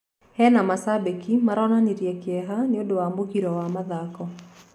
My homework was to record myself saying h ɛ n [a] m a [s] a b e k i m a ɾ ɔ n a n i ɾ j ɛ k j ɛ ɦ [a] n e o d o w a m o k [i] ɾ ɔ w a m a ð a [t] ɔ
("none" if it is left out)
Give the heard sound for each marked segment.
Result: a, s, a, i, k

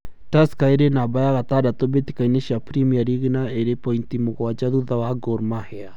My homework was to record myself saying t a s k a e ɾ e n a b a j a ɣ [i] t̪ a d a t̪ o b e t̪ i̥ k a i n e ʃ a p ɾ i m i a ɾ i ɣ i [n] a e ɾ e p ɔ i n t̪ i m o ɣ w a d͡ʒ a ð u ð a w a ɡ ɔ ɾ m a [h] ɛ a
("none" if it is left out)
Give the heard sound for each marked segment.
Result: a, n, h

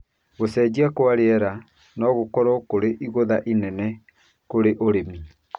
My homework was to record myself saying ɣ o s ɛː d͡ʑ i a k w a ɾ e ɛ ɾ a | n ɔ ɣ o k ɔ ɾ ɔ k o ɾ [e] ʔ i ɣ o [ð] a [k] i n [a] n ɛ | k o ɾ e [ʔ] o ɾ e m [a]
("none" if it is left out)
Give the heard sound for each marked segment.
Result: e, ð, ʔ, ɛ, ʔ, i

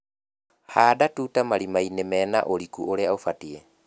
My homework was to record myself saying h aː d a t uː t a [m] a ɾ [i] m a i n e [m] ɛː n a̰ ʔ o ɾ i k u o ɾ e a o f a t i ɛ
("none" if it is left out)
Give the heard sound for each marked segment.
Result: m, i, m

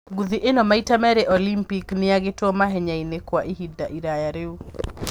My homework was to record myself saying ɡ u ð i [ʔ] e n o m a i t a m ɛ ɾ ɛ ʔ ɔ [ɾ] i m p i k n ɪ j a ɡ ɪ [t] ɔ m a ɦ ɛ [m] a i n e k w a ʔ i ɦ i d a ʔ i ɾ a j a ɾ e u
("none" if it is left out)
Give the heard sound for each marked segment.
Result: ʔ, l, t, ɲ

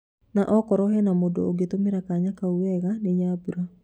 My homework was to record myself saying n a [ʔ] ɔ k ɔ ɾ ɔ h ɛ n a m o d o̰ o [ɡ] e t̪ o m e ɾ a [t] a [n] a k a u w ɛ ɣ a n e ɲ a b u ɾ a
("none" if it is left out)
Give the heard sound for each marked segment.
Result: ʔ, ɡ, k, ɲ

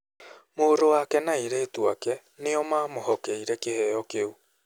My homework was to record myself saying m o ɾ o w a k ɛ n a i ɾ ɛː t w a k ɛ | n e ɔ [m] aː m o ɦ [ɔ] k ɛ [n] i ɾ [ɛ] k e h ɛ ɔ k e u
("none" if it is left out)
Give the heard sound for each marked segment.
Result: m, ɔ, none, ɛ

